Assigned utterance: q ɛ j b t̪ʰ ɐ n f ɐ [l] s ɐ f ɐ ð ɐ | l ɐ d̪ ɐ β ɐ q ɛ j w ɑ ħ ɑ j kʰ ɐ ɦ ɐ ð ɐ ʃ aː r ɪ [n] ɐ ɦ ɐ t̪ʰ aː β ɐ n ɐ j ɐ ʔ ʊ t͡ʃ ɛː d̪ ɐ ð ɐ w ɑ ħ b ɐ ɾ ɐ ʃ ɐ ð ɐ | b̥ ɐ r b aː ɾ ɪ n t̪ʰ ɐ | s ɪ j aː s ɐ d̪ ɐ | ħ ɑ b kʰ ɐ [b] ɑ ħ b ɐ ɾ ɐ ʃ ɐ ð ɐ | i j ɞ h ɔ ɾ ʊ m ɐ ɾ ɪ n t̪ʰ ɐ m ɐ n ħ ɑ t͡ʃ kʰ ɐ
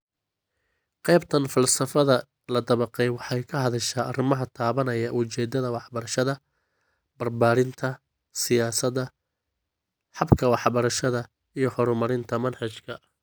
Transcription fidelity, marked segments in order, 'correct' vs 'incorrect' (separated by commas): correct, incorrect, incorrect